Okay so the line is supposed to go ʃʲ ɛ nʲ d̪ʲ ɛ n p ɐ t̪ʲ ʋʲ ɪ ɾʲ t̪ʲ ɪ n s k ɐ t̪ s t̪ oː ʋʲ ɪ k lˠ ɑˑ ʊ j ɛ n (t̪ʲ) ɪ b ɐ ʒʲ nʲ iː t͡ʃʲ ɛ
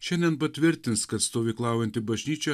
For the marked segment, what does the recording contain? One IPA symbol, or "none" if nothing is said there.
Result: t̪ʲ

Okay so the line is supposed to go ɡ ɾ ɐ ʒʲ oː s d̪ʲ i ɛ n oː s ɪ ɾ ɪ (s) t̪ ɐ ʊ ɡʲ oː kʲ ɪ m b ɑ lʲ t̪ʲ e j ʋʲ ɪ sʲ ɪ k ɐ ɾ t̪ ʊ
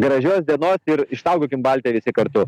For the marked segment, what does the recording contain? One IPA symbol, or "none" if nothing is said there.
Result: ʃ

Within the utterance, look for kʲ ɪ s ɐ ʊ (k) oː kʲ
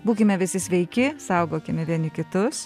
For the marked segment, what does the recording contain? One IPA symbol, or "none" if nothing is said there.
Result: ɡ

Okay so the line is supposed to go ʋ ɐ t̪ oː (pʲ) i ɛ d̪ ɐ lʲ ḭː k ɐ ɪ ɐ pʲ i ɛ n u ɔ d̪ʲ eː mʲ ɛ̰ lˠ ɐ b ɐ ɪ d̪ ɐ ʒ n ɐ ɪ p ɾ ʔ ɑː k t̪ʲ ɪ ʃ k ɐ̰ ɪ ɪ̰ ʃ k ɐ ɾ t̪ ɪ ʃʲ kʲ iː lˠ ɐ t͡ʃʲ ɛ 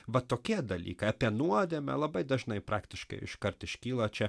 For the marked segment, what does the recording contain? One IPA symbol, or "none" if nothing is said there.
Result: kʲ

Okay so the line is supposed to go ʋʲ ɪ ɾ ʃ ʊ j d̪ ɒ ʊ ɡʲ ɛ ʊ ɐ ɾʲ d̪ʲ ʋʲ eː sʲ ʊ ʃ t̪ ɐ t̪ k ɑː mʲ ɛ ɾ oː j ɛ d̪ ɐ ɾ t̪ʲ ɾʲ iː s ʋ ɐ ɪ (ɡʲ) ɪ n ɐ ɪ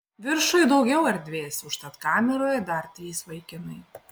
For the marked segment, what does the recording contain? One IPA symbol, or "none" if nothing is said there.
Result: kʲ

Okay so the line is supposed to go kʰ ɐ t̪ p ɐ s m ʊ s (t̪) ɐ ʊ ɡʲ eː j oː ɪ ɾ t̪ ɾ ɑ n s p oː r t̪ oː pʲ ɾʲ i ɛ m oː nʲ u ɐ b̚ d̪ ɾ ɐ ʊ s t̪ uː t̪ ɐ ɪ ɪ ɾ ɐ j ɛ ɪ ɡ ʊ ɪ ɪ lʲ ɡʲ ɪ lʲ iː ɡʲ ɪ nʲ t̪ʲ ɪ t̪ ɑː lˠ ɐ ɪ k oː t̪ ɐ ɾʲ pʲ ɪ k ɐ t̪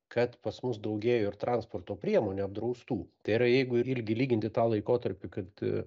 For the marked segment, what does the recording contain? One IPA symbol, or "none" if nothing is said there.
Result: d̪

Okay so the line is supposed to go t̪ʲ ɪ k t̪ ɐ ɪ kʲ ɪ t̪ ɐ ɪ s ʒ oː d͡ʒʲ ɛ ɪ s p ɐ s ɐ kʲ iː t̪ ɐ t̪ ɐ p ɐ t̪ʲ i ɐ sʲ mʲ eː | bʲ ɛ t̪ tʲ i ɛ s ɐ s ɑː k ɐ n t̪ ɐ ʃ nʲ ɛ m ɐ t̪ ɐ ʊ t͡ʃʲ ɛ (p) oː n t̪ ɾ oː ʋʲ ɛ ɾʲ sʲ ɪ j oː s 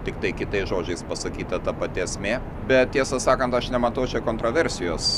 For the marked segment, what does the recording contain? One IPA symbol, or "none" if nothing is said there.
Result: k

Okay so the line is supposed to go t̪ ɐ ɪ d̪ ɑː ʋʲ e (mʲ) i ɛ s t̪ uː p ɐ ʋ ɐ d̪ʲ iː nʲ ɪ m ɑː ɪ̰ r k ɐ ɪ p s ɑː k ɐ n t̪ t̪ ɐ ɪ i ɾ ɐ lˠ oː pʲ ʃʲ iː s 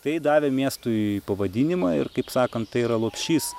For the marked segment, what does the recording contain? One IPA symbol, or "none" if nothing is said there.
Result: mʲ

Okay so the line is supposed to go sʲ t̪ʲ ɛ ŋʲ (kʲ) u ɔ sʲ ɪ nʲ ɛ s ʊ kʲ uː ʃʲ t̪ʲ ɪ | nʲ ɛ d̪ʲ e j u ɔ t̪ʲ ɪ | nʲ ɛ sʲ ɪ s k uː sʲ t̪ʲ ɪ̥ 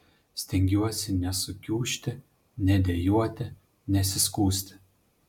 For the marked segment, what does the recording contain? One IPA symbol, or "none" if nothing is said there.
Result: ɡʲ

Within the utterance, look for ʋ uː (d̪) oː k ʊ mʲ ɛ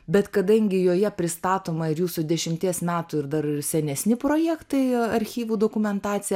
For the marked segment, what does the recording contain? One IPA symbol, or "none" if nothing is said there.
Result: d̪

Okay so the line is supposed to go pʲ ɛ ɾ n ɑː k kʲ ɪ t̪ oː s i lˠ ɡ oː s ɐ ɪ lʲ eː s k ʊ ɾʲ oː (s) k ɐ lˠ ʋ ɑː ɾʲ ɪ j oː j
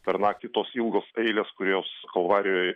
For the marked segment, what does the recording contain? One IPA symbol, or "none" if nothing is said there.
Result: s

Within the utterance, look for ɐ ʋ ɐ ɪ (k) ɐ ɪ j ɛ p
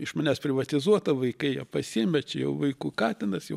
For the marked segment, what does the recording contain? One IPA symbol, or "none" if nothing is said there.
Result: k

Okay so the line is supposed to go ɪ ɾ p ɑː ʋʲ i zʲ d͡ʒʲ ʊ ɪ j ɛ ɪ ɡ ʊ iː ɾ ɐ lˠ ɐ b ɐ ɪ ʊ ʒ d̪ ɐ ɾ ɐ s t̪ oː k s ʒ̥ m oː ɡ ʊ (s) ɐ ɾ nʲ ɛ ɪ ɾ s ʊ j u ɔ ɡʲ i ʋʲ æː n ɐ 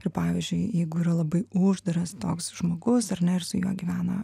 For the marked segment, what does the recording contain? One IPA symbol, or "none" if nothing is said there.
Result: s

